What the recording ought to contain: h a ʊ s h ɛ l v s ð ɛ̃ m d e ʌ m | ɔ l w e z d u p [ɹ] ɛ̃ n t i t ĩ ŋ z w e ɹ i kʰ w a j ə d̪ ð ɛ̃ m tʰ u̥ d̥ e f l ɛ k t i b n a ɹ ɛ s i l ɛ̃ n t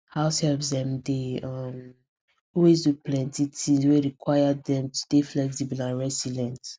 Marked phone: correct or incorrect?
incorrect: l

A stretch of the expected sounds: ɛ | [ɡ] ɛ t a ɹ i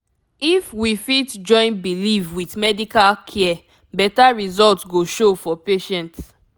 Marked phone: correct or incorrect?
incorrect: b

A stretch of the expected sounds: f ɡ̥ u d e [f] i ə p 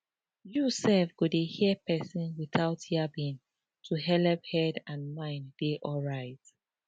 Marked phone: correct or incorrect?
incorrect: h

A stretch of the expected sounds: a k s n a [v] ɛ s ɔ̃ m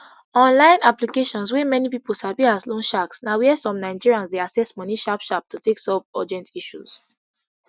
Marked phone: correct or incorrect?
incorrect: w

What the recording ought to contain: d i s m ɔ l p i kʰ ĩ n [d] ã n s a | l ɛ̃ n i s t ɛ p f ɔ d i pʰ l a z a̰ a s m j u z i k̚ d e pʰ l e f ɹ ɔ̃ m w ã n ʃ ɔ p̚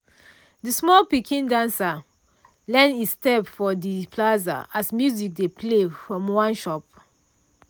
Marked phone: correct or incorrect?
correct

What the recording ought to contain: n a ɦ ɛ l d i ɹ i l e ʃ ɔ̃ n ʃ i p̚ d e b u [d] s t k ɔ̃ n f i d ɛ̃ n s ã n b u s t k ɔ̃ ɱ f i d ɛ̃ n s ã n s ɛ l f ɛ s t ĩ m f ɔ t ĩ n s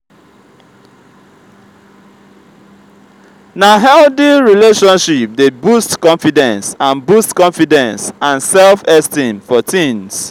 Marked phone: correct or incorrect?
incorrect: none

